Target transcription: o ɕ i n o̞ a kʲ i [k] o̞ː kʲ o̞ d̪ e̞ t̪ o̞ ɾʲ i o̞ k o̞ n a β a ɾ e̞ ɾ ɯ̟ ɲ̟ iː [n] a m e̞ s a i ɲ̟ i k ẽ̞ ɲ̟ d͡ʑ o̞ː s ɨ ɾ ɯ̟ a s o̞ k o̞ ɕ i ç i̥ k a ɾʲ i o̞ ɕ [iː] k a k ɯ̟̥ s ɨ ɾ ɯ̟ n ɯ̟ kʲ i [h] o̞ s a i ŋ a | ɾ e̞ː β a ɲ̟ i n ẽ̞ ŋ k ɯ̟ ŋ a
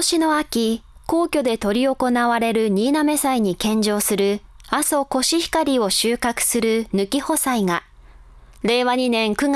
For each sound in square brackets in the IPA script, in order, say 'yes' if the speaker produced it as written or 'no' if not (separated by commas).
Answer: yes, yes, no, yes